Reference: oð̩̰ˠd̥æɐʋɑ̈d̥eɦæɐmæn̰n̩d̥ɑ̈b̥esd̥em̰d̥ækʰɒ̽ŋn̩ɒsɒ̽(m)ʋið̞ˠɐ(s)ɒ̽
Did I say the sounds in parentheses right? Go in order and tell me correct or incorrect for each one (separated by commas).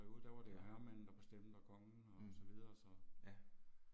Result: incorrect, correct